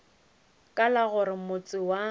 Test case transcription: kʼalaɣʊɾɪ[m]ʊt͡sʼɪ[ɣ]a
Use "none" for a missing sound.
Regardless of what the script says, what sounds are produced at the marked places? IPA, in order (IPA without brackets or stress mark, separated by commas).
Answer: m, w